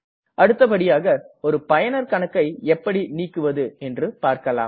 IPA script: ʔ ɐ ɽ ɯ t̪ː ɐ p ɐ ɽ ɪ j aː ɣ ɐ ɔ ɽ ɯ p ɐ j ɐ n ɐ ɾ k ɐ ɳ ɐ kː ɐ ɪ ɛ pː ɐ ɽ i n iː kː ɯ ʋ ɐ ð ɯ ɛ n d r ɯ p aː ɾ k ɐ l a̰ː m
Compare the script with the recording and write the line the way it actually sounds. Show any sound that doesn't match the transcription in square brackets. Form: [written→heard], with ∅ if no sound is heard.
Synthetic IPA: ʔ ɐ ɽ ɯ t̪ː ɐ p ɐ ɽ ɪ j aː ɣ ɐ ɔ [ɽ→ɾ] ɯ p ɐ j ɐ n ɐ ɾ k ɐ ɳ ɐ kː ɐ ɪ ɛ pː ɐ ɽ i n iː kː ɯ ʋ ɐ ð ɯ ɛ n d r ɯ p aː ɾ k ɐ l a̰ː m